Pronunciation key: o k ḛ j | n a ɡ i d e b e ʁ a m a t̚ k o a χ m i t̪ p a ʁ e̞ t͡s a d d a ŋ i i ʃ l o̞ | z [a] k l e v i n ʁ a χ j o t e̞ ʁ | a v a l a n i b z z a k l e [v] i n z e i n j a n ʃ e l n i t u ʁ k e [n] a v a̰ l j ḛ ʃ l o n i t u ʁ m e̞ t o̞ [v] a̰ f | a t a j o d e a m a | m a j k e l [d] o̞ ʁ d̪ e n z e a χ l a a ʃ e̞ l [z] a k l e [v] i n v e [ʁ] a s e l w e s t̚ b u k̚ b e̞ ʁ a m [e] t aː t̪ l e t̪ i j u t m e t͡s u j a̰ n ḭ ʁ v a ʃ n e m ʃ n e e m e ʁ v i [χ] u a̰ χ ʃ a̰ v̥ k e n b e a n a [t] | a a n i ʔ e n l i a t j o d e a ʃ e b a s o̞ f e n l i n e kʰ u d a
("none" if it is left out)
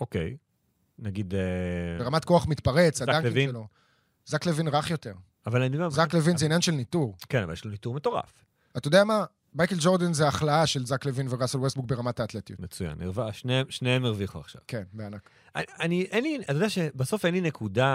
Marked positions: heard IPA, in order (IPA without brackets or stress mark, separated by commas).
a, v, n, ʁ, d͡ʒ, z, v, ʁ, a, χ, k